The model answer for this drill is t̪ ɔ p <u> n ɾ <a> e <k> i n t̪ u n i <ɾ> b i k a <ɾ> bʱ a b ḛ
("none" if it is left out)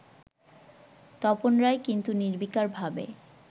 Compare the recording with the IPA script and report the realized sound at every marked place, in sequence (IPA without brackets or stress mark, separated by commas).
o, a, k, ɾ, ɾ